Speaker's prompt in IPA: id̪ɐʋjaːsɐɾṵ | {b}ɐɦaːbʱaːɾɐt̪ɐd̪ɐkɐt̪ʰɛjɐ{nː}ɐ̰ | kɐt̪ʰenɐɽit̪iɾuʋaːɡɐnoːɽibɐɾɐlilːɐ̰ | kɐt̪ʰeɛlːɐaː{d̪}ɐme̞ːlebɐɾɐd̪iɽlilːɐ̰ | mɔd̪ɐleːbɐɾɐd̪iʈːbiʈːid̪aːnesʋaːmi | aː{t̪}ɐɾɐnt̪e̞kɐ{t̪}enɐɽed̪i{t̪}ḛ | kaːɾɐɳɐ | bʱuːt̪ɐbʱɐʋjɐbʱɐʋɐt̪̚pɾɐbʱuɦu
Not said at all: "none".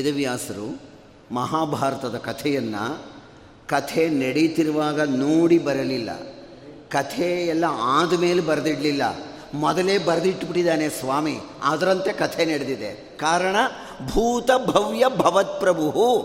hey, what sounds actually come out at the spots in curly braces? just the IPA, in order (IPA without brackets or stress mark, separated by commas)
m, nː, d̪, d̪, t̪ʰ, d̪